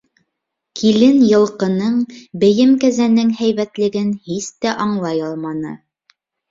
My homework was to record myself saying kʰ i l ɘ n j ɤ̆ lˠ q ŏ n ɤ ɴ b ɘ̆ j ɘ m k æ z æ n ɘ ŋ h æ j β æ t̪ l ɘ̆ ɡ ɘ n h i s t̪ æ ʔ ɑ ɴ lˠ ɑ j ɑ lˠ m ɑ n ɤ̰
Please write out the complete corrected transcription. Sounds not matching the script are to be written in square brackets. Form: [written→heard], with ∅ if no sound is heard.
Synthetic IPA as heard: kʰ i l ɘ n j ɤ̆ lˠ q [ŏ→ɤ̆] n ɤ ɴ b ɘ̆ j ɘ m k æ z æ n ɘ ŋ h æ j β æ t̪ l ɘ̆ ɡ ɘ n h i s t̪ æ ʔ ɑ ɴ lˠ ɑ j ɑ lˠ m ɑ n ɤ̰